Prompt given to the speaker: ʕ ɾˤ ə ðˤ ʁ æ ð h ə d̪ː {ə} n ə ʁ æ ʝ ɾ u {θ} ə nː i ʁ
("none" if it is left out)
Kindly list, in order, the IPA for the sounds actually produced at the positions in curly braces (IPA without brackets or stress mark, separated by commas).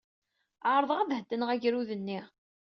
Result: ə, ð